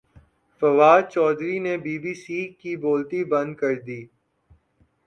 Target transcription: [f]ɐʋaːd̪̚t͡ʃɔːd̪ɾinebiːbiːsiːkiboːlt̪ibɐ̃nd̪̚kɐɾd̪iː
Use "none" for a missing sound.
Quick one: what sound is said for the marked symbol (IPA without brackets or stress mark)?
f